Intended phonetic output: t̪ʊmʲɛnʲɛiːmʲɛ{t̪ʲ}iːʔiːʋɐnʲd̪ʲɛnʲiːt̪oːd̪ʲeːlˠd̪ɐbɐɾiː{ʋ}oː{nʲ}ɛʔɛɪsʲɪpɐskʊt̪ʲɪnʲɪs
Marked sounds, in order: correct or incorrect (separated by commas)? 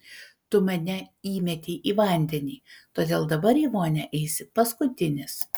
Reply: correct, correct, correct